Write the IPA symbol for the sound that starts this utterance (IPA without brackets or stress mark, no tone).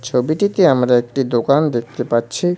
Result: t͡ɕʰ